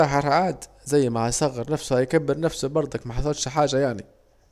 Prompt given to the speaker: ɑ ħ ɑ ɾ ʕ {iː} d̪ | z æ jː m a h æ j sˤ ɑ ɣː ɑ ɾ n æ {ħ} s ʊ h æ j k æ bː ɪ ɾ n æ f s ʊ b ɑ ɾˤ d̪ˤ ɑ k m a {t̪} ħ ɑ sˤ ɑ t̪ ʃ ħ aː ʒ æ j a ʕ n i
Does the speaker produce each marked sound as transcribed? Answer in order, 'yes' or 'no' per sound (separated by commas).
no, no, no